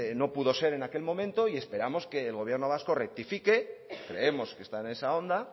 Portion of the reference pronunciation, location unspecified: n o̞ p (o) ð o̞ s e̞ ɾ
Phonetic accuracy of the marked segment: incorrect: u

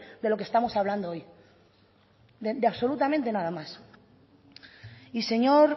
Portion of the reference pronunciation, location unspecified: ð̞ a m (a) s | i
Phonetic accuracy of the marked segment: correct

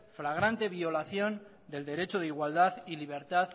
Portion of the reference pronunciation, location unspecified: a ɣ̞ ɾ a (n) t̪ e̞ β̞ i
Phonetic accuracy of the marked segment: correct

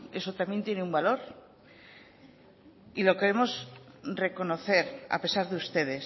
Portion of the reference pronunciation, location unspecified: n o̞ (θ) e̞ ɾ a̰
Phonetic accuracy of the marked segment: correct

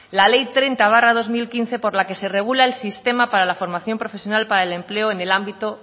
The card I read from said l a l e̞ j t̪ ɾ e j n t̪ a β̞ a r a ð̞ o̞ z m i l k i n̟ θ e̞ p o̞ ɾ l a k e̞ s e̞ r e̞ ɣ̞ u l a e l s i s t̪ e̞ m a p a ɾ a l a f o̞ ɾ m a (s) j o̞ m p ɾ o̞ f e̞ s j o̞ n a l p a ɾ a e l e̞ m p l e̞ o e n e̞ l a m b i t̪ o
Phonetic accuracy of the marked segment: incorrect: θ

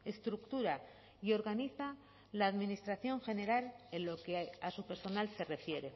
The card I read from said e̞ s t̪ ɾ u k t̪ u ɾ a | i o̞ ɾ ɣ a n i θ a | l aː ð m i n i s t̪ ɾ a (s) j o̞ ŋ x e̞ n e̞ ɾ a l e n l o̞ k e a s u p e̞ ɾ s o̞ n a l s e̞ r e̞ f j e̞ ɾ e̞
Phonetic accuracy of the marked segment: incorrect: θ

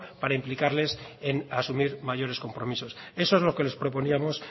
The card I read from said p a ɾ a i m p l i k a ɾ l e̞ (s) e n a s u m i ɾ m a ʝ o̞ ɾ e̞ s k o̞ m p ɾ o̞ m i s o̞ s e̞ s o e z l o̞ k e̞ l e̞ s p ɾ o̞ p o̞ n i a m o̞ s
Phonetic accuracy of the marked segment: correct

